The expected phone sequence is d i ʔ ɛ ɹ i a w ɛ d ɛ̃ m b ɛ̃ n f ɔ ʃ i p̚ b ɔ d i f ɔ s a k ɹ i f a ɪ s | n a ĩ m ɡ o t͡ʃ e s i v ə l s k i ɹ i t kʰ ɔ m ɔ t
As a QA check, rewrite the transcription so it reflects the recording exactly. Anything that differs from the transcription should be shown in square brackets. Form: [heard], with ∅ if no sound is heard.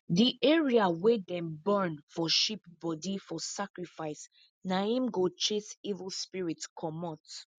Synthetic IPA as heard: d i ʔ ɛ ɹ i a w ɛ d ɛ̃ m b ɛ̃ n f ɔ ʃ i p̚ b ɔ d i f ɔ s a k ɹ i f a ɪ s | n a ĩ m ɡ o t͡ʃ e s i v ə l s [p] i ɹ i t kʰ ɔ m ɔ t

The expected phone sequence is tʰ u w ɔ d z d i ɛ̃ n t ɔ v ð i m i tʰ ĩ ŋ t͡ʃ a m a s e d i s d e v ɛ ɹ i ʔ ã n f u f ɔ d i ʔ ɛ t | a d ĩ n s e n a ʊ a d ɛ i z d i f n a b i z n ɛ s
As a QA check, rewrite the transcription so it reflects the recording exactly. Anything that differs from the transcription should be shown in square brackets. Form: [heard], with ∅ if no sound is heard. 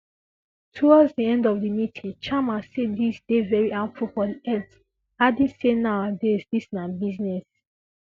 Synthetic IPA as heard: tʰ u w ɔ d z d i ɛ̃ n [d] ɔ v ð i m i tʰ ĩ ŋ t͡ʃ a m a s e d i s d e v ɛ ɹ i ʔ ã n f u f ɔ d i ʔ ɛ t | a d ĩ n s e n a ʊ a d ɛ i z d i [s] n a b i z n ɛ s

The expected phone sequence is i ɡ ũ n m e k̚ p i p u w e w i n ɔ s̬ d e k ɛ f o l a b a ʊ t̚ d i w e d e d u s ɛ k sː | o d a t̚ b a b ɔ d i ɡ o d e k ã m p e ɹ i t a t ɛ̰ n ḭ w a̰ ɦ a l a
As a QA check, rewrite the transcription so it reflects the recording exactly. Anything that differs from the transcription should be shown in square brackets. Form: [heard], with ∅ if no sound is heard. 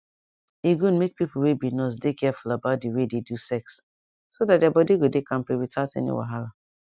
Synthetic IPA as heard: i ɡ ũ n m e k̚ p i p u w e [b] i n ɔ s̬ d e k ɛ f [u] l a b a ʊ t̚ d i w e d e d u s ɛ k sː | o d a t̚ [d] a b ɔ d i ɡ o d e k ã m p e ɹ i t a t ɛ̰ n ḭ w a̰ ɦ a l a

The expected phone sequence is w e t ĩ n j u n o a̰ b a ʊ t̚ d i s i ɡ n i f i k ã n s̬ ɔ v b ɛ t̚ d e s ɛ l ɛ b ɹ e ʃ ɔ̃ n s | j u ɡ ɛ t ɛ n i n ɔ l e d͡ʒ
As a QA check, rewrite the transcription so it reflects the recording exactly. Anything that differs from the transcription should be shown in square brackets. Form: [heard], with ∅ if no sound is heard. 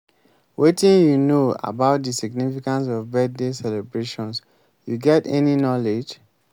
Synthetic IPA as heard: w e t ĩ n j u n o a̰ b a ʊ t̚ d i s i ɡ n i f i k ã n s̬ ɔ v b ɛ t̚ d e s ɛ l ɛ b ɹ e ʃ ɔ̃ n s | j u ɡ ɛ t ɛ n i n ɔ l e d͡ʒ

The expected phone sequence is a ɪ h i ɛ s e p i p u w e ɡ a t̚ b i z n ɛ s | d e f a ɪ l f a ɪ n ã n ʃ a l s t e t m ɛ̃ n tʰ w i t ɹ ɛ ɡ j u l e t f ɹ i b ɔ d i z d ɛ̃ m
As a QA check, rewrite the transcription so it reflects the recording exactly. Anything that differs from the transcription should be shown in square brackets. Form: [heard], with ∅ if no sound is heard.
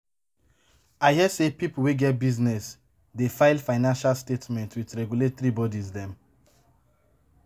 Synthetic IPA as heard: a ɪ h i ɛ s e p i p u w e ɡ [ɛ] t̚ b i z n ɛ s | d e f a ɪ l f a ɪ n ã n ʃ a l s t e t m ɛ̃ n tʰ w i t ɹ ɛ ɡ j u l e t [θ] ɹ i b ɔ d i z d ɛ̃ m

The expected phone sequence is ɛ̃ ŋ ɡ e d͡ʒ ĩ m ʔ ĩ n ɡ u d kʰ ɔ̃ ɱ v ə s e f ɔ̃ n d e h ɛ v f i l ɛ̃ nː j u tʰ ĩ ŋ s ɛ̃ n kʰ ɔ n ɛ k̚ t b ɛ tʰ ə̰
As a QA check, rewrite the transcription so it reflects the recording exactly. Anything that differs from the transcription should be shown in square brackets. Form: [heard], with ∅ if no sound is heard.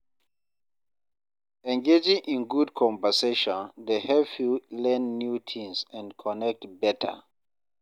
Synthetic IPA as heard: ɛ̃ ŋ ɡ e d͡ʒ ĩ [ŋ] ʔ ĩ n ɡ u d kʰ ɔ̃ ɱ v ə s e [ʃ] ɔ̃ n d e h ɛ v f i l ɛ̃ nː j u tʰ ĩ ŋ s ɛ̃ n kʰ ɔ n ɛ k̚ t b ɛ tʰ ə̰

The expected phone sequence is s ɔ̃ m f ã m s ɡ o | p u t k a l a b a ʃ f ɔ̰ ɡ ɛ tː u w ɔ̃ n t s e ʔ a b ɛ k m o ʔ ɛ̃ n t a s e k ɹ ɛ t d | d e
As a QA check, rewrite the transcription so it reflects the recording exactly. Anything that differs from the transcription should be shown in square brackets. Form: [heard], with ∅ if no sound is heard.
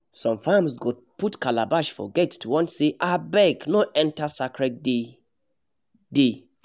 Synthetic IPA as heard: s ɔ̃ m f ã m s ɡ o | p u t k a l a b a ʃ f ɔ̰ ɡ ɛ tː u w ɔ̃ n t s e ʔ a b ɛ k [n] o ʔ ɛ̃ n t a s [a] k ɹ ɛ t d | d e

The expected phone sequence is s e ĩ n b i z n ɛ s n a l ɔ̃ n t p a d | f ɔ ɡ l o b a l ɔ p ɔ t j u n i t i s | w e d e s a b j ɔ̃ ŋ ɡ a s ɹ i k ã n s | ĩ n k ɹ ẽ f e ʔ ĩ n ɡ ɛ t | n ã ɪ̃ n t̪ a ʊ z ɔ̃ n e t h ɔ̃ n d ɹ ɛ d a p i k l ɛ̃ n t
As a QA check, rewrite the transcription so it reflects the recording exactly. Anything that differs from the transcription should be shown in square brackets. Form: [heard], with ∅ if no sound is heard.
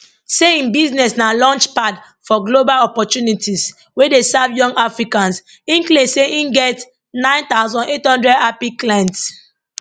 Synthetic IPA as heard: s e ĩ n b i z n ɛ s n a l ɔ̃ n [t͡ʃ] p a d | f ɔ ɡ l o b a l ɔ p ɔ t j u n i t i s | w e d e s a [v] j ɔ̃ ŋ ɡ a [f] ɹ i k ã n s | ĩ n k [l] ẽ [s] e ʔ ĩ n ɡ ɛ t | n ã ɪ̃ n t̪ a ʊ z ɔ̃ n e t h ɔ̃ n d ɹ ɛ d a p i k l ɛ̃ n t

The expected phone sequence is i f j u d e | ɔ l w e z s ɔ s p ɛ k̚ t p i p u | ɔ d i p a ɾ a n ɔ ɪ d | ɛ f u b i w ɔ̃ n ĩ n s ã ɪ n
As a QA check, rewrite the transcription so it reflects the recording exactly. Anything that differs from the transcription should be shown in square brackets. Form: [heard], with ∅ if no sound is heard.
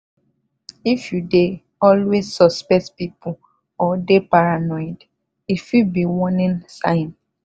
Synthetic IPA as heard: i f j u d e | ɔ l w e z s ɔ s p ɛ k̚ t p i p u | ɔ d [e] p a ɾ a n ɔ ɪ d | [i] f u b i w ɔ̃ n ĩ n s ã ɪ n

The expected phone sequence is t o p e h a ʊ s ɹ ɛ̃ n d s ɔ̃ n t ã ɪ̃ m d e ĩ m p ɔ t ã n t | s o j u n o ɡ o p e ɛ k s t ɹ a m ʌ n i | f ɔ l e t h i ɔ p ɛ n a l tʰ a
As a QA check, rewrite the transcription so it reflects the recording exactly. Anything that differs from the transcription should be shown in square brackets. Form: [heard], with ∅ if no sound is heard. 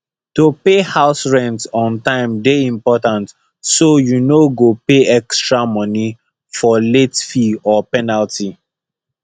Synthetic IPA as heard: t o p e h a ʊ s ɹ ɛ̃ n [t] s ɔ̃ n t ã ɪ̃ m d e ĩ m p ɔ t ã n t | s o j u n o ɡ o p e ɛ k s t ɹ a m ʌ n i | f ɔ l e t [f] i ɔ p ɛ n a l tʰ [i]

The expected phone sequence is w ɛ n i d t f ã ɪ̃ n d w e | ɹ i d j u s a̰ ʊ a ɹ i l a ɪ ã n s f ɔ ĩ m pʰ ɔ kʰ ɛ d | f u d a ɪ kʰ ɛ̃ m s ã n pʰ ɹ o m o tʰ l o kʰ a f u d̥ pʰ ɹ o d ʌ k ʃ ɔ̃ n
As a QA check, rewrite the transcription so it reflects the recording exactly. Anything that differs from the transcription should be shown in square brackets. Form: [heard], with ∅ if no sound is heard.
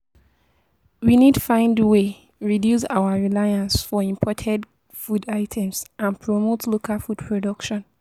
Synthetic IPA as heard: w [i] n i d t f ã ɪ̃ n d w e | ɹ i d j u s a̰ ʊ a ɹ i l a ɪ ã n s f ɔ ĩ m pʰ ɔ [tʰ] ɛ d | f u d a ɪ [tʰ] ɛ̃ m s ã n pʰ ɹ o m o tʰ l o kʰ a f u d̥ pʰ ɹ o d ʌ k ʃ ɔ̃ n

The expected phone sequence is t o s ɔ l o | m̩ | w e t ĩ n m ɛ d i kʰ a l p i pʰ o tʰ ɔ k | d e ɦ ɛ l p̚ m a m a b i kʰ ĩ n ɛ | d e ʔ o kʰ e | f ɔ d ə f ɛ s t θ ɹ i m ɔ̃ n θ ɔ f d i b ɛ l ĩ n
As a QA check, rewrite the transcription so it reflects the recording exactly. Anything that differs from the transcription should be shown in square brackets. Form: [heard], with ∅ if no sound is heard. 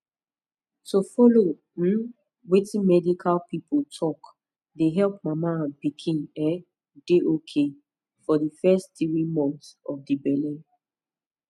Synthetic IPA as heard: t o [f] ɔ l o | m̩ | w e t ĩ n m ɛ d i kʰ a l p i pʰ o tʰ ɔ k | d e ɦ ɛ l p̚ m a m a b i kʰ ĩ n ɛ | d e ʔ o kʰ e | f ɔ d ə f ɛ s t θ ɹ i m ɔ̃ n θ ɔ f d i b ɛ l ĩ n

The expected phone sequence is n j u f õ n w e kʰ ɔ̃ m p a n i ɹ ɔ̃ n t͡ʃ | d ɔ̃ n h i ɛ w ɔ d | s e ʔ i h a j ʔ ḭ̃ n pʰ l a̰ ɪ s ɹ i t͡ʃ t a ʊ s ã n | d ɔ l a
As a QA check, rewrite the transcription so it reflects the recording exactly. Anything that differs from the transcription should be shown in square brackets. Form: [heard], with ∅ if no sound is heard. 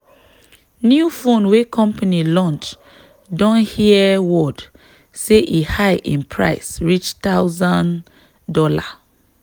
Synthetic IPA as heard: n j u f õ n w e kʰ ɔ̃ m p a n i [l] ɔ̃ n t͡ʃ | d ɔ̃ n h i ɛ w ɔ d | s e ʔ i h a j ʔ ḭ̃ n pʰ [ɹ] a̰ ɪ s ɹ i t͡ʃ t a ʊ [z] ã n | d ɔ l a

